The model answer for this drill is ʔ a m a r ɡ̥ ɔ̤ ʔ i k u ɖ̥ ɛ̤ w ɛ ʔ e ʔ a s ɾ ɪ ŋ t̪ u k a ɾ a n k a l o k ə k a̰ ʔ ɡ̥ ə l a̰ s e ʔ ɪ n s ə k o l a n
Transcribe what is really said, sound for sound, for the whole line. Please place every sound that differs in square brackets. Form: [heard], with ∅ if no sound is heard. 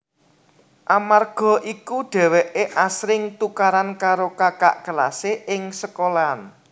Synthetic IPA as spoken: ʔ a m a r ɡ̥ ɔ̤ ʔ i k u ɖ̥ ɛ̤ w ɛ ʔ e ʔ a s ɾ ɪ ŋ t̪ u k a ɾ a n k a [ɾ] o k [a] k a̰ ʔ ɡ̥ ə l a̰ s e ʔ ɪ [ŋ] s ə k o l a n